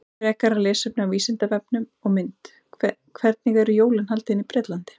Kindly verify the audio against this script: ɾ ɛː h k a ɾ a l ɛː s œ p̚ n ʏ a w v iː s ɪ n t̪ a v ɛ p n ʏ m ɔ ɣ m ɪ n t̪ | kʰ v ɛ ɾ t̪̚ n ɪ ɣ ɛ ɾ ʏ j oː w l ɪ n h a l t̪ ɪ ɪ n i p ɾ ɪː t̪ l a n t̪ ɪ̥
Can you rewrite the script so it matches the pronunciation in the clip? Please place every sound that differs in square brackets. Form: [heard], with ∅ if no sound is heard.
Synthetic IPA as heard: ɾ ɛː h k a ɾ a l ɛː s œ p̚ n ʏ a w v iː s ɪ n t̪ a v ɛ p n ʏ m ɔ ɣ m ɪ n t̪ | kʰ v ɛ ɾ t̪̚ n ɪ ɣ ɛ ɾ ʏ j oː w l ɪ n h a l t̪ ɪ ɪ n i p ɾ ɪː t̪ l a n t̪ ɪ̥